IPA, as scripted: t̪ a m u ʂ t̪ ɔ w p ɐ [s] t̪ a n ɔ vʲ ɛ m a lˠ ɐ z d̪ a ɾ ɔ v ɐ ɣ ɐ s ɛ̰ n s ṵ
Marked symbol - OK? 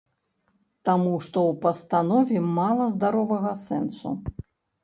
yes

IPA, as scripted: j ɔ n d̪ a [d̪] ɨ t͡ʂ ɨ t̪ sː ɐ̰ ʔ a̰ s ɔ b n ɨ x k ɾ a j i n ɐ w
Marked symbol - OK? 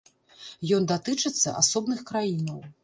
no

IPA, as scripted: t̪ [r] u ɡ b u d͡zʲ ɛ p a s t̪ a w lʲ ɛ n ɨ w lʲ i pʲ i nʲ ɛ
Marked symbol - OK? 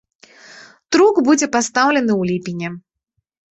no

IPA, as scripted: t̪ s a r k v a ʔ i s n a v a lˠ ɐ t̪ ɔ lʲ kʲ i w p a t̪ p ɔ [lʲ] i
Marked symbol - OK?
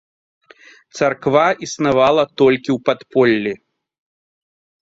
no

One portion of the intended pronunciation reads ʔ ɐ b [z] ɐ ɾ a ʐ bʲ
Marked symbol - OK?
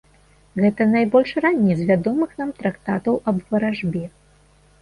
no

